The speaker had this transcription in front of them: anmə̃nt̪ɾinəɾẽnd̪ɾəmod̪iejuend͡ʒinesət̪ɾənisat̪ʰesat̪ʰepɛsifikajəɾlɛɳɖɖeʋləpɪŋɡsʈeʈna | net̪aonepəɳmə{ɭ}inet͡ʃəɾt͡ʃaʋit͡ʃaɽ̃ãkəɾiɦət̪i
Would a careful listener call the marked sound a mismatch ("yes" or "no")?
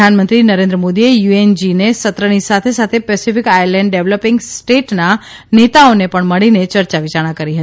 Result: no